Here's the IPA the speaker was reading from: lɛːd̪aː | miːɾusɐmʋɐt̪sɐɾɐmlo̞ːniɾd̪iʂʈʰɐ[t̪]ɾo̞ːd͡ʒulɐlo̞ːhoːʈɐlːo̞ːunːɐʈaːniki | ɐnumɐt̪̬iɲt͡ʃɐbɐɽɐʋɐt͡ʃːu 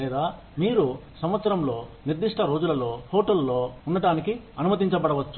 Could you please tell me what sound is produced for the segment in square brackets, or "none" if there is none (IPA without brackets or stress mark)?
none